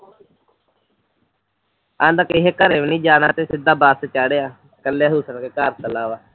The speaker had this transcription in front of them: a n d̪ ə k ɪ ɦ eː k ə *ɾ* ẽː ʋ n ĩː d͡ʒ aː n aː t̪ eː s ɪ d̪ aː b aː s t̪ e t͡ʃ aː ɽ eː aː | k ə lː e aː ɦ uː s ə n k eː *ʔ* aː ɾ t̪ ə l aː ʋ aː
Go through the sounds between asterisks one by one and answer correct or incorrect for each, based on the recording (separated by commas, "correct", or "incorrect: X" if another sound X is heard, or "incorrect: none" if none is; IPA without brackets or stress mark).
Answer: correct, incorrect: k